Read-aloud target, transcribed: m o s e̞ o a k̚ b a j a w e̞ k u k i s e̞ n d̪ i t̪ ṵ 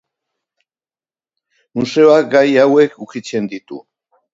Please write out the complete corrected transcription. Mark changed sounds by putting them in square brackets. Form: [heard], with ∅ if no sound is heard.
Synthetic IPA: m [u] s e̞ o a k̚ [ɡ] a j a w e̞ k u k i [t͡s] e̞ n d̪ i t̪ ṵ